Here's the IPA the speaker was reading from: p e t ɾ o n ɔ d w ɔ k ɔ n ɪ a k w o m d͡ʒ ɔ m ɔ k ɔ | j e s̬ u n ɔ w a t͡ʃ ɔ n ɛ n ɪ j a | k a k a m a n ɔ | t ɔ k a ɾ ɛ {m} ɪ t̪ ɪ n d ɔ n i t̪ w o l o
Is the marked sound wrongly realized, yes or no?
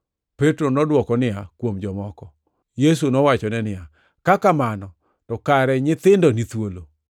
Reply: yes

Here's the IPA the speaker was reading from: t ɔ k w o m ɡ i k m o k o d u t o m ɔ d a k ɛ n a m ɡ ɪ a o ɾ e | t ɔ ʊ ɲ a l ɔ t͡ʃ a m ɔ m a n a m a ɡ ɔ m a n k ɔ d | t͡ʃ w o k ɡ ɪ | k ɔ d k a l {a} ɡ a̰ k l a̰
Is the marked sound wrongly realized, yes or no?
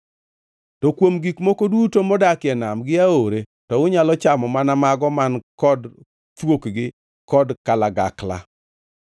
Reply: no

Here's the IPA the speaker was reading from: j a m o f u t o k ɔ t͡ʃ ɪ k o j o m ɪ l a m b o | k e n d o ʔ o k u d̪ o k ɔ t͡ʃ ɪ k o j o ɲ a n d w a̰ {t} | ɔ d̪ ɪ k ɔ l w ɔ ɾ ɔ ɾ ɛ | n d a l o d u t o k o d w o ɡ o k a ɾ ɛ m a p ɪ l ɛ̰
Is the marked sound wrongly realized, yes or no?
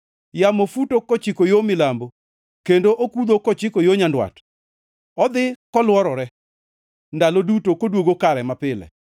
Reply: no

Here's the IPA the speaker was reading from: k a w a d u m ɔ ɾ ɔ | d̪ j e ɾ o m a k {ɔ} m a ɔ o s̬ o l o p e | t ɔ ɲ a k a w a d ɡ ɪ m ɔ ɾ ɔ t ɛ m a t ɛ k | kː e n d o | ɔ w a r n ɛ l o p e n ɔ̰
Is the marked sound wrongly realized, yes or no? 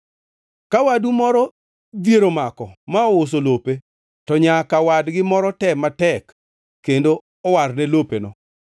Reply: no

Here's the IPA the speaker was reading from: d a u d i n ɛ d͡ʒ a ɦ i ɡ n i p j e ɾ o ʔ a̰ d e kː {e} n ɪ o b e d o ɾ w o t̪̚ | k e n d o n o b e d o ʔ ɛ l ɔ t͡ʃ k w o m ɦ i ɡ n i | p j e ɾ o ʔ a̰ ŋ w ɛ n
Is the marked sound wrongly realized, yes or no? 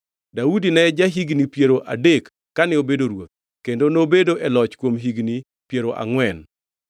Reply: yes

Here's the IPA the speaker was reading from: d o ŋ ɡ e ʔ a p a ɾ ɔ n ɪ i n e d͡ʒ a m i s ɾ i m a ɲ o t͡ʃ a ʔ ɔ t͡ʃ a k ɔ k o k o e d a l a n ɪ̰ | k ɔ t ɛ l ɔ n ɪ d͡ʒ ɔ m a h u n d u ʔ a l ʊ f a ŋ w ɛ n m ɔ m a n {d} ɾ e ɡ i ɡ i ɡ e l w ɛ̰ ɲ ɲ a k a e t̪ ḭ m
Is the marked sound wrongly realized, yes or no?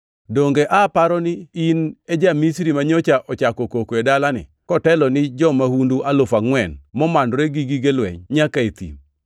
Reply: no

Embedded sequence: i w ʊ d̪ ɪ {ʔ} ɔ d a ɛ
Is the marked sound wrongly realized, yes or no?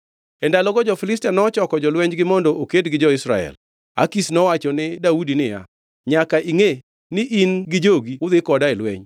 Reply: yes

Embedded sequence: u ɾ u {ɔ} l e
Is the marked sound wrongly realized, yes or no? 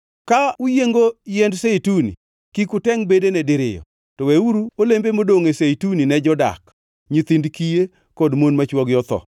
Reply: yes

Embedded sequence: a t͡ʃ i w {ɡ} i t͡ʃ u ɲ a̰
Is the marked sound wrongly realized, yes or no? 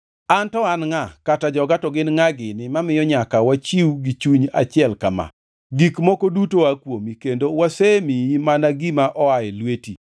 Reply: no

